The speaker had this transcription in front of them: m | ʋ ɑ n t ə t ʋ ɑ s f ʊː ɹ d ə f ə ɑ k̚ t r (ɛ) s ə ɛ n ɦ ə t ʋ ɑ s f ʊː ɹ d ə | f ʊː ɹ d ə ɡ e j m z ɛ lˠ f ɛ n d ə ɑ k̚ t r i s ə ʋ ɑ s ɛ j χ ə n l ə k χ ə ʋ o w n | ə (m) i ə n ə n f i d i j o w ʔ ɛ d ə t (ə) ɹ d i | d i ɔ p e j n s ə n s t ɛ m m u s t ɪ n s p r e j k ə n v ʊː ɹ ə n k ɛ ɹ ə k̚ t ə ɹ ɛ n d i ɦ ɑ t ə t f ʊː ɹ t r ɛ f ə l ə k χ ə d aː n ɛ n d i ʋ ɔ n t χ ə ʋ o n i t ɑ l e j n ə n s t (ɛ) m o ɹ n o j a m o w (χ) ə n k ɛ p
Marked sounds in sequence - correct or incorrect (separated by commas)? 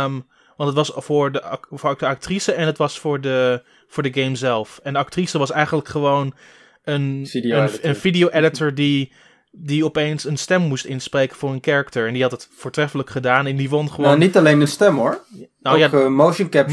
incorrect, incorrect, correct, correct, incorrect